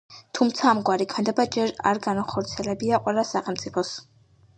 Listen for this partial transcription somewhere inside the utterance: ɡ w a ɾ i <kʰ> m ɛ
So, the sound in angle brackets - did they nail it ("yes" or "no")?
yes